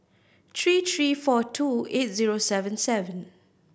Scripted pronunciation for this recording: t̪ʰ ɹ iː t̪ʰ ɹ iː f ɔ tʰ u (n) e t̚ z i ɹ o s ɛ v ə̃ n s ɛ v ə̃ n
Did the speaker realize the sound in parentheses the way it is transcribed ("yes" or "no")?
no